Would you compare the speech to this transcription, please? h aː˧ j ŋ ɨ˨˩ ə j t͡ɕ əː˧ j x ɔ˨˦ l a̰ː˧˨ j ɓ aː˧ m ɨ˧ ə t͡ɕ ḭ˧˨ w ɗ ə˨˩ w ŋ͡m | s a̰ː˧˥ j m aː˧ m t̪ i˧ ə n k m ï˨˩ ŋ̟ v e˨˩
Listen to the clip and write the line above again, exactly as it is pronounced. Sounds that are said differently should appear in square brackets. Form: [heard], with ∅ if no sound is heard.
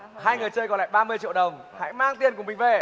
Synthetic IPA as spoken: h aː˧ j ŋ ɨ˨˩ ə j t͡ɕ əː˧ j [k] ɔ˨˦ l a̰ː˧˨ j ɓ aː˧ m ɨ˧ ə t͡ɕ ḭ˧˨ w ɗ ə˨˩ w ŋ͡m | [h] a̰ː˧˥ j m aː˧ [ŋ] t̪ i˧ ə n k m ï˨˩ ŋ̟ v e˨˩